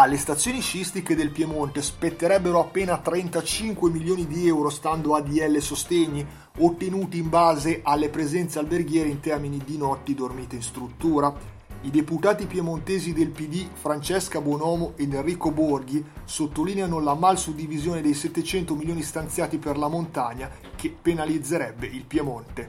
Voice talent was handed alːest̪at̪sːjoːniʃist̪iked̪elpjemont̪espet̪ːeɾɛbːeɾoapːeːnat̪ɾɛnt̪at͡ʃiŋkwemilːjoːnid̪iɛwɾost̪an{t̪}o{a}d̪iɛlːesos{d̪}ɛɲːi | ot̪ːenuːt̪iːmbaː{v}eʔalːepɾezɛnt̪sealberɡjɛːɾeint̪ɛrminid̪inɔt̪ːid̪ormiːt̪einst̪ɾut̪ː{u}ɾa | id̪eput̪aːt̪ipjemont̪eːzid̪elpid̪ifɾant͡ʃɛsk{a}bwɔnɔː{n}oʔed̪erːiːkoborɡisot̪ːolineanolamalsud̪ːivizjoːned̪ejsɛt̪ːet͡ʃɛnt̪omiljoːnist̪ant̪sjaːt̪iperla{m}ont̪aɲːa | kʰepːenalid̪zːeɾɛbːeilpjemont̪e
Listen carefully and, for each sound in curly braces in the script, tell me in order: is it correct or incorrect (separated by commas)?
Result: incorrect, correct, incorrect, incorrect, incorrect, correct, incorrect, correct